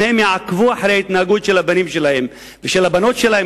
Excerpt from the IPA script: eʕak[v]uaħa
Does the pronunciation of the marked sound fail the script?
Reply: no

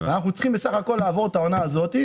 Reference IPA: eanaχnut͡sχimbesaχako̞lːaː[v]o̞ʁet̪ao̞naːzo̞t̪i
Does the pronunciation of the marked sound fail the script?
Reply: no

